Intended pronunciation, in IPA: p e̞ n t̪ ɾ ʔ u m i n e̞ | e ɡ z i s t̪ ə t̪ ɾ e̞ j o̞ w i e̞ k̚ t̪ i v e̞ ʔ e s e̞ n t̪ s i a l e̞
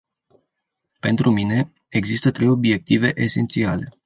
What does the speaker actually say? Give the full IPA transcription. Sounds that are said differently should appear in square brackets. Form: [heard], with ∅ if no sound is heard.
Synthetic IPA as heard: p e̞ n t̪ ɾ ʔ u m i n e̞ | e ɡ z i s t̪ ə t̪ ɾ e̞ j o̞ [b] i e̞ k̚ t̪ i v e̞ ʔ e s e̞ n t̪ s i a l e̞